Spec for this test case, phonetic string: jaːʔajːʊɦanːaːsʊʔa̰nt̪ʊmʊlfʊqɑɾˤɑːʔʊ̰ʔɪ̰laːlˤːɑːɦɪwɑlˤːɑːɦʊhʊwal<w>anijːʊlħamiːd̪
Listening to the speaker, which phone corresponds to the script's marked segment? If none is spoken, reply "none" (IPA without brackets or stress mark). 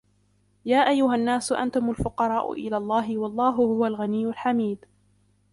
ɣ